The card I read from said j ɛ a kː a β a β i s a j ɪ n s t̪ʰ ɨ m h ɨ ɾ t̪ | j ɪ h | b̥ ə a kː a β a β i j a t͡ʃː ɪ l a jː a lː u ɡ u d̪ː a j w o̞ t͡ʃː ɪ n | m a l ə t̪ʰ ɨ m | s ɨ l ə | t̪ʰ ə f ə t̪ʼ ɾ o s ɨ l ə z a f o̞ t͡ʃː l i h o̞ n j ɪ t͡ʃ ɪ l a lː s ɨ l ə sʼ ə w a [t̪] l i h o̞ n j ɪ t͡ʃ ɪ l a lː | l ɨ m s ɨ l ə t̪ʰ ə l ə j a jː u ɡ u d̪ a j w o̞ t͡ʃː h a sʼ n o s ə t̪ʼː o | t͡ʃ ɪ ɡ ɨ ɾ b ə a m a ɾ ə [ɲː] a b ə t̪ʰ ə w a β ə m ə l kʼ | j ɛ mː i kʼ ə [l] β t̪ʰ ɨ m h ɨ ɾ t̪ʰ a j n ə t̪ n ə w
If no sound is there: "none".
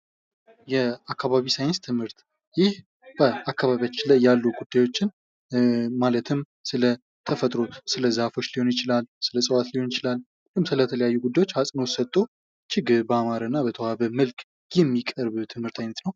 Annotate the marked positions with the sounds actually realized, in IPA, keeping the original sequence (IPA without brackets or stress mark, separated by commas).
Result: t̪, nː, ɾ